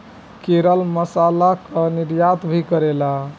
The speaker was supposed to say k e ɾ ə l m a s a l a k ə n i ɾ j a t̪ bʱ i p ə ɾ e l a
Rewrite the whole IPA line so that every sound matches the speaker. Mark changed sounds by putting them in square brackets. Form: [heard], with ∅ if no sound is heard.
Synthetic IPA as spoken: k e ɾ ə l m [ə] s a l a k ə n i ɾ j a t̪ bʱ i [k] ə ɾ e l a